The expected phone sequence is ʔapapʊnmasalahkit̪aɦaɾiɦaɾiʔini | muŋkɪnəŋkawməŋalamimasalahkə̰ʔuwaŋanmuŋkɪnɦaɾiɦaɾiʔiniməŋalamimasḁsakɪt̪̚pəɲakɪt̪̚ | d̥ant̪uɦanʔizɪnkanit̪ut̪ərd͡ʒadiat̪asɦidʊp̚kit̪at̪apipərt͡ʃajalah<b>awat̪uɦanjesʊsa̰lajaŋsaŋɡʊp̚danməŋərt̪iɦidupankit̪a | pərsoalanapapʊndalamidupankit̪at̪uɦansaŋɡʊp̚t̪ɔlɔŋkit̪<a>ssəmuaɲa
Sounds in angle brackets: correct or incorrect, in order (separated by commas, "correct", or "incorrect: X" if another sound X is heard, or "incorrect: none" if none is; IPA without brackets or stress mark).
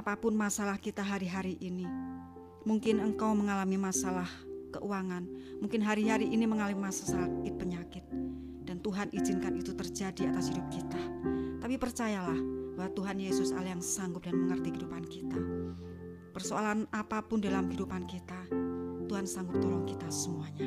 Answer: correct, correct